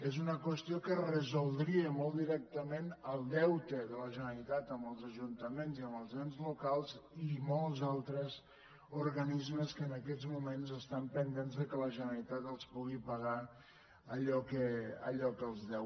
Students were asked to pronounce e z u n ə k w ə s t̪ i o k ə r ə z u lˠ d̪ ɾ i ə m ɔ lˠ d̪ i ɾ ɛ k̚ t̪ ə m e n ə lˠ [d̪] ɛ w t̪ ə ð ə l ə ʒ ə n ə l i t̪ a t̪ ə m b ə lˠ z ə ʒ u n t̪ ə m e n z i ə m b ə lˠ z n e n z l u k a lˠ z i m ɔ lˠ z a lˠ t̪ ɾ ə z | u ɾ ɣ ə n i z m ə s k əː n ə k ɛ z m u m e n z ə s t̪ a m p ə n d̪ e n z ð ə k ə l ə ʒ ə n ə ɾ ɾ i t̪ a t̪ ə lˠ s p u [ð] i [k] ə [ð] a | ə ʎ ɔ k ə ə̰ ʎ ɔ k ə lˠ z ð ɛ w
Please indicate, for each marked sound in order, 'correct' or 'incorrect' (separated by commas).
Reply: correct, incorrect, incorrect, incorrect